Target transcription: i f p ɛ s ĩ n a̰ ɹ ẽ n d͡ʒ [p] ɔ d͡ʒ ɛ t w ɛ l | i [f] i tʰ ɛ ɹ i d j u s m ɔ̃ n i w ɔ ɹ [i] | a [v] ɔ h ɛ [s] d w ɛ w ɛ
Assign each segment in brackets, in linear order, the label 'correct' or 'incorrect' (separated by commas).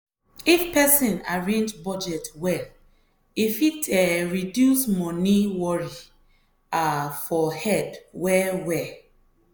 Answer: incorrect, correct, correct, incorrect, incorrect